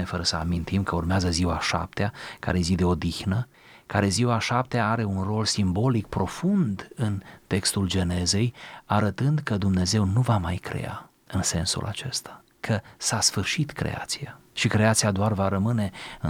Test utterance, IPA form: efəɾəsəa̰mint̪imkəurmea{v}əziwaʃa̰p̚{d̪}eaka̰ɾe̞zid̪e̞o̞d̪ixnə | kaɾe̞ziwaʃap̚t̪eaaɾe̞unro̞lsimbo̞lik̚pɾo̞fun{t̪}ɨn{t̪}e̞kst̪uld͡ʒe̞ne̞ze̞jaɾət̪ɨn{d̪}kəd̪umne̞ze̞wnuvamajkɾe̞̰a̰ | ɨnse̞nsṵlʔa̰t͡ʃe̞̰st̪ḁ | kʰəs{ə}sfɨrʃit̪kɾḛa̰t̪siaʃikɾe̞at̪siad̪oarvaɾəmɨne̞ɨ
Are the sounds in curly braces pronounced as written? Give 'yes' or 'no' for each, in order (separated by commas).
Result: no, no, no, yes, yes, no